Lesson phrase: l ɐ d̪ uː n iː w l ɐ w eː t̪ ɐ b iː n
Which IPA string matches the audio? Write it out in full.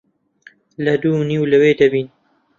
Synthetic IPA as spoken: l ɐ d̪ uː n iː w l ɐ w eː d̪ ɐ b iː n